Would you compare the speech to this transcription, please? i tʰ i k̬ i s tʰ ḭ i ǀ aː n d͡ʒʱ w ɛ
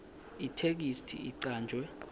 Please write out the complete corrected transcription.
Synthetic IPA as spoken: i tʰ e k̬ i s tʰ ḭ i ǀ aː n d͡ʒʱ w ɛ